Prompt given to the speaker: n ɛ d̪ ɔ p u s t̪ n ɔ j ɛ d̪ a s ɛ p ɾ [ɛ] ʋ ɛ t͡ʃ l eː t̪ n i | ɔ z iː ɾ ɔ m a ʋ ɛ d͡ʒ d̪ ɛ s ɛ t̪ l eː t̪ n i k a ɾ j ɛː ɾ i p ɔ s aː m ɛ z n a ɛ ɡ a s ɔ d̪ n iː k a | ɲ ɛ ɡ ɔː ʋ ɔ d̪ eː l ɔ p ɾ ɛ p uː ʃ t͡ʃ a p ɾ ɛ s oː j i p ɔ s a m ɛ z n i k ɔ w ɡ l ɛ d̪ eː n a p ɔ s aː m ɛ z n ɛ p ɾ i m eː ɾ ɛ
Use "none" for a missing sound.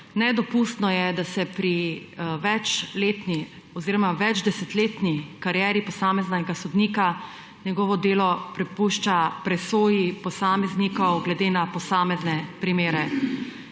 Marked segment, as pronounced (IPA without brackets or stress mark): i